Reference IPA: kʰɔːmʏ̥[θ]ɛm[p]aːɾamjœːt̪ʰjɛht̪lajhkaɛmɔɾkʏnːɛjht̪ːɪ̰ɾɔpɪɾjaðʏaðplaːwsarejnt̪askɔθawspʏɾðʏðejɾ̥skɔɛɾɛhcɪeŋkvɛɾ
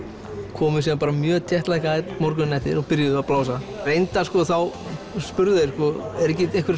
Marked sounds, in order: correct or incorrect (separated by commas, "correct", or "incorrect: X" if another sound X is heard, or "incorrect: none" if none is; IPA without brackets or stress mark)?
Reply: incorrect: s, correct